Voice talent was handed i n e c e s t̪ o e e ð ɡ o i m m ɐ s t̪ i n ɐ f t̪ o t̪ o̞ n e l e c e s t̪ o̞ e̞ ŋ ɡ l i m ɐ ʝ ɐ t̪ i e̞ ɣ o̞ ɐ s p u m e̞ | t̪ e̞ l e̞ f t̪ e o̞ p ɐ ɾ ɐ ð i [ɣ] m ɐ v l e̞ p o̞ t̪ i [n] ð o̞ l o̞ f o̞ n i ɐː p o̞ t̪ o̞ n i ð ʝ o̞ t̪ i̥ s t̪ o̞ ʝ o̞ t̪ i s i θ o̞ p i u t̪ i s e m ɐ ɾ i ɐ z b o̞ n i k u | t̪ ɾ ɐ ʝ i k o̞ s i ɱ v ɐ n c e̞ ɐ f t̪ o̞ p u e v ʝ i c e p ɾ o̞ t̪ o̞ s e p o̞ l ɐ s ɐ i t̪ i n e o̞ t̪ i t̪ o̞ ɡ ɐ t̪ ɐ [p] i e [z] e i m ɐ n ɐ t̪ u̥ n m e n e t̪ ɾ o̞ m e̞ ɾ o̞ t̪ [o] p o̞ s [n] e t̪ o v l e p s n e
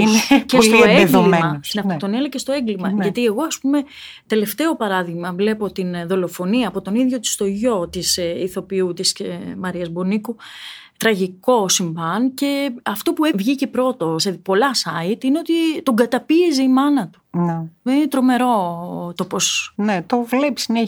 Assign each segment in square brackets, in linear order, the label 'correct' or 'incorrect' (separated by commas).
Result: correct, correct, correct, correct, correct, correct